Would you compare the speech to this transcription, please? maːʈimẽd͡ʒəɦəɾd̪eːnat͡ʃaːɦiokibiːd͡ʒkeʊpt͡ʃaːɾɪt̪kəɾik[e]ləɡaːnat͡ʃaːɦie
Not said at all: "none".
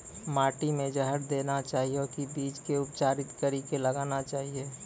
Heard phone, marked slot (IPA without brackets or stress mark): e